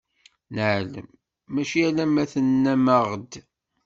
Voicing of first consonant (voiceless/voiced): voiced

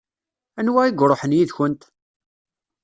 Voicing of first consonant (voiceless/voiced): voiced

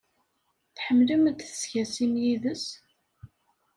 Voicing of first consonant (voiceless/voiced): voiceless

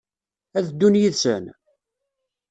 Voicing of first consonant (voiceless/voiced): voiced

